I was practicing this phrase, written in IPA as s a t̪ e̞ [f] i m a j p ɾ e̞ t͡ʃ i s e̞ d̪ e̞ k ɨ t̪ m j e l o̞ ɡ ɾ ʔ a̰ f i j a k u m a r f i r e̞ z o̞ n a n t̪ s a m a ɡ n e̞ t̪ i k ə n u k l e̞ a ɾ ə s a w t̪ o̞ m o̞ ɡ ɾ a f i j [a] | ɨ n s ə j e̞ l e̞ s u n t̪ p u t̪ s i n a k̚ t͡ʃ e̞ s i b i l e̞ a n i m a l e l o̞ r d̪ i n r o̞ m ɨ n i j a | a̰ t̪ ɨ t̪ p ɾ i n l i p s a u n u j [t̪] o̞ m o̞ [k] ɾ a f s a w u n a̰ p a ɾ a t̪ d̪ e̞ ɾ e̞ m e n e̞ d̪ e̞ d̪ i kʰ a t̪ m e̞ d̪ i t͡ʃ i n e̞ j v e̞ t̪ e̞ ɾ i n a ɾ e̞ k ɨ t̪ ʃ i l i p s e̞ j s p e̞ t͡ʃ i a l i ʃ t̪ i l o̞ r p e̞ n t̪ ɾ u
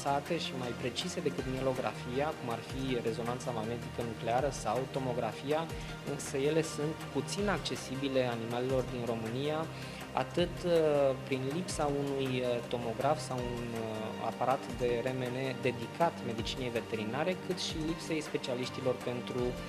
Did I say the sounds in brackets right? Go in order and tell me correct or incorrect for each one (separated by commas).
incorrect, correct, correct, incorrect